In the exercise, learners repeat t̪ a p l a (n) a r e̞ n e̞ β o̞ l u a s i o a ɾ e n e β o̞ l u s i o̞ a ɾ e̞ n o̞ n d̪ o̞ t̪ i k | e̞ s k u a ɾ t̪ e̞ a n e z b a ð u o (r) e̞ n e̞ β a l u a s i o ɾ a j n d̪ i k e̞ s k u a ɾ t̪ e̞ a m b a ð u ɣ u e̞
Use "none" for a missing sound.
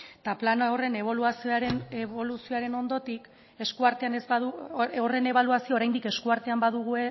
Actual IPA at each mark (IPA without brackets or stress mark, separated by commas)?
n, r